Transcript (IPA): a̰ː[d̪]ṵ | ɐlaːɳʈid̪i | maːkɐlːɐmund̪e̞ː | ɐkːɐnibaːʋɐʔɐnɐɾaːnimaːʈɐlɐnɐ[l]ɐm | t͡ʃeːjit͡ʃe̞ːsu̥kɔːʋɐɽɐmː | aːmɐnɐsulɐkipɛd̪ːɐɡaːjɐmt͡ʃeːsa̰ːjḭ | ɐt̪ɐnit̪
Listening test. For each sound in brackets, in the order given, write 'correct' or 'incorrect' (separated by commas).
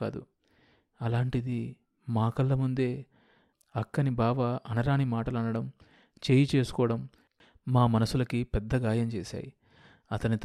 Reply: correct, incorrect